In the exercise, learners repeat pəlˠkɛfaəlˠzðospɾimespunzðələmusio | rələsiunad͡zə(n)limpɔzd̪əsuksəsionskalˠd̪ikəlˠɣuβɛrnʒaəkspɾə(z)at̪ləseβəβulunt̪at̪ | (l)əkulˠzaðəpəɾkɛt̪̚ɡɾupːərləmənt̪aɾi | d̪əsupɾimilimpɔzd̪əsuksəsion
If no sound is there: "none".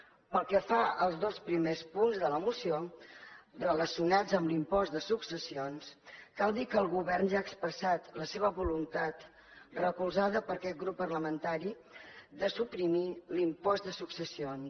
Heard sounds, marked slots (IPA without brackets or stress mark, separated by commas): m, s, r